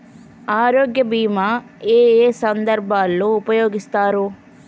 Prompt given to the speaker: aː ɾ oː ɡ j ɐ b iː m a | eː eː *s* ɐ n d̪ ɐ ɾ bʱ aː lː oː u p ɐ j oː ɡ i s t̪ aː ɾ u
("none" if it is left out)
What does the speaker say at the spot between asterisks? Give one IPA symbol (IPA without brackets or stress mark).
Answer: s